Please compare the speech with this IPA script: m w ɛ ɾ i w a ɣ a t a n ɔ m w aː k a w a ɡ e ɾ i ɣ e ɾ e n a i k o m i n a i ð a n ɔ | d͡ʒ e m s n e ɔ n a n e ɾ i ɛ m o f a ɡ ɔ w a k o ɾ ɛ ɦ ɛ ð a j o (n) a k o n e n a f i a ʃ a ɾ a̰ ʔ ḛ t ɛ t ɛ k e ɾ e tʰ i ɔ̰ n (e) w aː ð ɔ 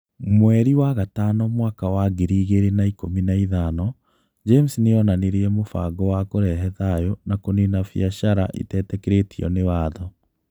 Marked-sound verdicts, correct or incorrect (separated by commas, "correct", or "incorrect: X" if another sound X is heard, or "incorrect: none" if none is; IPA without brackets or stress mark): correct, correct